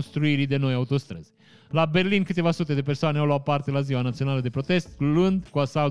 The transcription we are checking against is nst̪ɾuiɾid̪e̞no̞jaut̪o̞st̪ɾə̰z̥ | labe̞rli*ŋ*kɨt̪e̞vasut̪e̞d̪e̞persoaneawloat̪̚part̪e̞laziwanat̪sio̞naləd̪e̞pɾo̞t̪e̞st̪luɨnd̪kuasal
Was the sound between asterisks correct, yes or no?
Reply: no